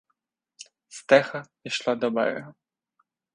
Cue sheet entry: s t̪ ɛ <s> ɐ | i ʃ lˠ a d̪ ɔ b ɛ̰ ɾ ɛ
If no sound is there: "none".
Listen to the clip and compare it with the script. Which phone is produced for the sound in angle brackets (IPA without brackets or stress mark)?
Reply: x